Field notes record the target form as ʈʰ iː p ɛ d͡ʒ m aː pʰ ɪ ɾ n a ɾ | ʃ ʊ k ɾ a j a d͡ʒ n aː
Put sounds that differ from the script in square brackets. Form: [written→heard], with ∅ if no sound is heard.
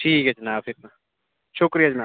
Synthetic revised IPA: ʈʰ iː [p→k] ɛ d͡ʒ [m→n] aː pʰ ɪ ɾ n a [ɾ→∅] | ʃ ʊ k ɾ [a→i] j a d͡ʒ n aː